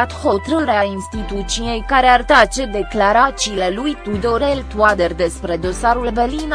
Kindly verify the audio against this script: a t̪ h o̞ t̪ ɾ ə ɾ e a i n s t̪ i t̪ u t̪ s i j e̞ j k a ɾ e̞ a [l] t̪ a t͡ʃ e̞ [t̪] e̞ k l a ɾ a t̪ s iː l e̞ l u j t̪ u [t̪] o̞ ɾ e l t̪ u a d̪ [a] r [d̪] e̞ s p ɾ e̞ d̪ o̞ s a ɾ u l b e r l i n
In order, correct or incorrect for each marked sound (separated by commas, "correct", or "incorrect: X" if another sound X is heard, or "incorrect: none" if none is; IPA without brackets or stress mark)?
incorrect: r, incorrect: d̪, incorrect: d̪, incorrect: e, correct